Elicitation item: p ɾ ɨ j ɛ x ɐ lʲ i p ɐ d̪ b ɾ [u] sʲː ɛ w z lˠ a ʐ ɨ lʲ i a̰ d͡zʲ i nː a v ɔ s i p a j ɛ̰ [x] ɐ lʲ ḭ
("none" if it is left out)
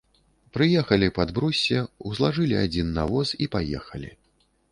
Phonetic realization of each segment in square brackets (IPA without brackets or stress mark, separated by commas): u, x